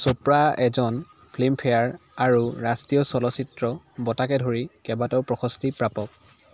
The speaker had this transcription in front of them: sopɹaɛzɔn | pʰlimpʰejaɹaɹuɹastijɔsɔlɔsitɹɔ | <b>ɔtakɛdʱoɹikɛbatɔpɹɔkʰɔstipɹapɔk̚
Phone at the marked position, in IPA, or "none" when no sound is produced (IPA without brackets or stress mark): b